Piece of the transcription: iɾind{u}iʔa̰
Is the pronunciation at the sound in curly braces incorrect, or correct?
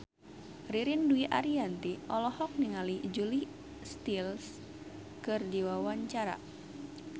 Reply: correct